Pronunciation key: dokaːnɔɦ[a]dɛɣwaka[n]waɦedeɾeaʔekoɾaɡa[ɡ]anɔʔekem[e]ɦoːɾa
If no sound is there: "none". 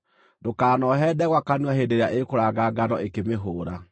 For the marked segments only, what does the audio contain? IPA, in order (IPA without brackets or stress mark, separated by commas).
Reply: ɛ, n, ɡ, e